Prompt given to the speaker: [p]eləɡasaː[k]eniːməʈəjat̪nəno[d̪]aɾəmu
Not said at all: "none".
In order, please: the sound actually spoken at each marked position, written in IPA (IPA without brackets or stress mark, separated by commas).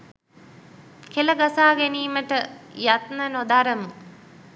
k, ɡ, d̪